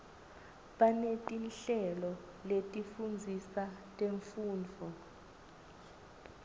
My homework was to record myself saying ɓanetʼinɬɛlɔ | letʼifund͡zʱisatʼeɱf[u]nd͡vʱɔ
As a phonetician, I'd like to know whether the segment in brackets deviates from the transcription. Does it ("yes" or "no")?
yes